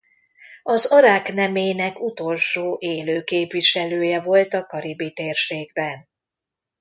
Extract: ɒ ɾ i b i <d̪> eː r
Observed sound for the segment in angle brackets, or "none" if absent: t̪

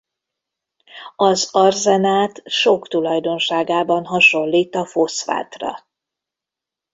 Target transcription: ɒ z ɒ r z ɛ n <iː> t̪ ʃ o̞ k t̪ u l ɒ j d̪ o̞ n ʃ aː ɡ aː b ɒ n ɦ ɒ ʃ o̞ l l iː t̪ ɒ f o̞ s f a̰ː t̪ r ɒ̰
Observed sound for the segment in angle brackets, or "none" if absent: aː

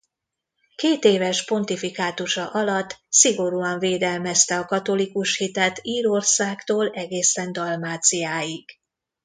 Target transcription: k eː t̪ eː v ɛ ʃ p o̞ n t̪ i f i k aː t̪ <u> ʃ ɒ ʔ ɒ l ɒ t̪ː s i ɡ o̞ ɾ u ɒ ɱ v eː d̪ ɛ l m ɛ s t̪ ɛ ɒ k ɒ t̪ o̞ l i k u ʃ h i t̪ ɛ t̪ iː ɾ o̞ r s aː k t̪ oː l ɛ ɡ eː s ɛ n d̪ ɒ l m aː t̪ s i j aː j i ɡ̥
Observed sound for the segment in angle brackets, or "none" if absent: u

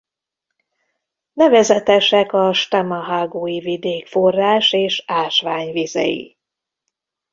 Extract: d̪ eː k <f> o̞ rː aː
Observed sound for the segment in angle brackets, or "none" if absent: f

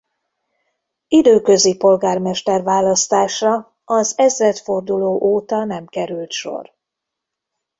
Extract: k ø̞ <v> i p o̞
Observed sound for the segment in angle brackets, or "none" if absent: z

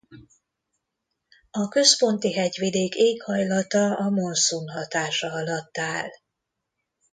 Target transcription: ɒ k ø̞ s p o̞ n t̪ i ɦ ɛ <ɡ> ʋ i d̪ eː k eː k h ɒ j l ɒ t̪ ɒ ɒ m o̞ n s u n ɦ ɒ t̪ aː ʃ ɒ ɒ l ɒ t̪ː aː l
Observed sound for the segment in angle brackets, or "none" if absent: ɟ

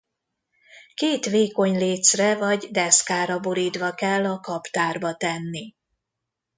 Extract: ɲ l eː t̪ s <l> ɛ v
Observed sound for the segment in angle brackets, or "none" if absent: r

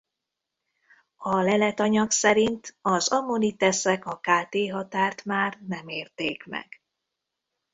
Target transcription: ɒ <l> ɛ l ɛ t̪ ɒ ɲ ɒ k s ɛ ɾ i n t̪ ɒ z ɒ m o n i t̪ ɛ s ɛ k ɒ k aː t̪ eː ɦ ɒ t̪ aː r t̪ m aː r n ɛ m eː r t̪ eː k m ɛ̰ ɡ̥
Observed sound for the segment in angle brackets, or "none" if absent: l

